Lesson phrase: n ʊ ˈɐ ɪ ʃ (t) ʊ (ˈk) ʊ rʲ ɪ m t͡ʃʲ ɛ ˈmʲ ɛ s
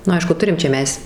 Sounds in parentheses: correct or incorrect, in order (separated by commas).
incorrect, incorrect